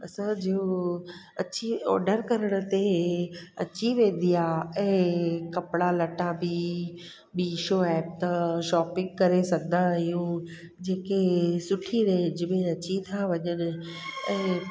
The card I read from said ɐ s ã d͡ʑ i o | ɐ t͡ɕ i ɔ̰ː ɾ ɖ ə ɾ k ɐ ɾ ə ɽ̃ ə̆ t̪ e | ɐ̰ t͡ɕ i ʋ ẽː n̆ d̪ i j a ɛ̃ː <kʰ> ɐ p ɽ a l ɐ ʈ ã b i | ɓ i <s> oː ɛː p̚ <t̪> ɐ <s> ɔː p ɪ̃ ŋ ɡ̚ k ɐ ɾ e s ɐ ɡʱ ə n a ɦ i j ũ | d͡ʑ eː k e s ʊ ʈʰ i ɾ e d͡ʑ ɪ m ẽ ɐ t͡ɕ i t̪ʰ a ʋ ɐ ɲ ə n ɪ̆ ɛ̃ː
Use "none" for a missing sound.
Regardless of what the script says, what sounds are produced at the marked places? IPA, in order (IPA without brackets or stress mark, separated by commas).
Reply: k, ʃ, t̪, ʃ